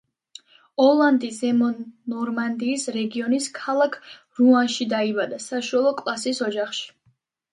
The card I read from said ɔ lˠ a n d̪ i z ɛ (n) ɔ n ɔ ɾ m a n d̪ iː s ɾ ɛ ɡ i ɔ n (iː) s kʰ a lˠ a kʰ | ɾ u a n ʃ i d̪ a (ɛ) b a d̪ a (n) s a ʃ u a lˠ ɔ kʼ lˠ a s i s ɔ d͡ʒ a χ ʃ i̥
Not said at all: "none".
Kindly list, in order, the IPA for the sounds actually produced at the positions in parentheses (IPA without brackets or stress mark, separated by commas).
m, i, i, none